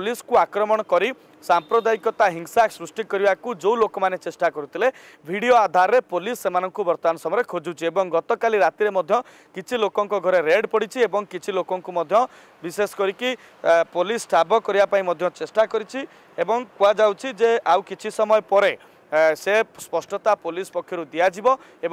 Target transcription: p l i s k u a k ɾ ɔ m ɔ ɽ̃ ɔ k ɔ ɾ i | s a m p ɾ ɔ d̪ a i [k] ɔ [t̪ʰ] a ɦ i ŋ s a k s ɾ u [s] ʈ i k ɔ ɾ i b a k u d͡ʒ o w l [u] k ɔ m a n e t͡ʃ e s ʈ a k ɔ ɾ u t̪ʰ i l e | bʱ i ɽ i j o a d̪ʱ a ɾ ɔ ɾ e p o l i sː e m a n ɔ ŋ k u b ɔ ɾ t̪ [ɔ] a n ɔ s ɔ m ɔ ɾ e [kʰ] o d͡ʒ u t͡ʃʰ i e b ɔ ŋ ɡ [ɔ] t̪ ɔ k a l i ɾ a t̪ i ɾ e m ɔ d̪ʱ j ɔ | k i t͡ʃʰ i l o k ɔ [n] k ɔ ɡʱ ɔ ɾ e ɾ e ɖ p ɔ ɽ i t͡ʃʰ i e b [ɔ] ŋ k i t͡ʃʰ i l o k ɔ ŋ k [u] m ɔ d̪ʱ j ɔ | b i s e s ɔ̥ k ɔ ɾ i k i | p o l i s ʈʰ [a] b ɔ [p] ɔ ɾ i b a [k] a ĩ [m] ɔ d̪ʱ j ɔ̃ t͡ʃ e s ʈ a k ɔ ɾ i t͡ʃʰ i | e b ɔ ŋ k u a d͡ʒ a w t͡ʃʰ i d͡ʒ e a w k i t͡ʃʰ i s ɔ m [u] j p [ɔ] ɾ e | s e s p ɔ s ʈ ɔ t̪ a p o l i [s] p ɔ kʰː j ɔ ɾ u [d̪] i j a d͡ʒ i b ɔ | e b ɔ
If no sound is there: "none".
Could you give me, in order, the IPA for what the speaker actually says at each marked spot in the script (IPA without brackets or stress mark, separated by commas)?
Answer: k, t̪, s, o, ɔ, kʰ, ɔ, ŋ, ɔ, u, a, k, p, m, ɔ, ɔ, s, d̪